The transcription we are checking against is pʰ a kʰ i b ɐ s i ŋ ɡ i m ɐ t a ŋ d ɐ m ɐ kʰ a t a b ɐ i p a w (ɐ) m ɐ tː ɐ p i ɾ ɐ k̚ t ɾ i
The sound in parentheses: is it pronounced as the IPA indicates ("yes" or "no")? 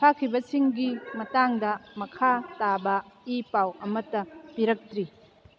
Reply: yes